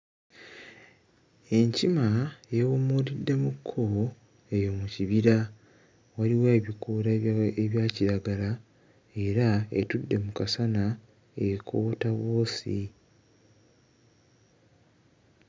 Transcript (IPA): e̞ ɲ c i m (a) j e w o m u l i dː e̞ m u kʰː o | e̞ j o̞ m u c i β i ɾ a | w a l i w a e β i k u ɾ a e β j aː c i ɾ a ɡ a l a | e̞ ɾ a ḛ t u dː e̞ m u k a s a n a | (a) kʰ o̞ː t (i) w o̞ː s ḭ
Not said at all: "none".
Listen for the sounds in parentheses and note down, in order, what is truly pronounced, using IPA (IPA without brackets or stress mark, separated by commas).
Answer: a, e, a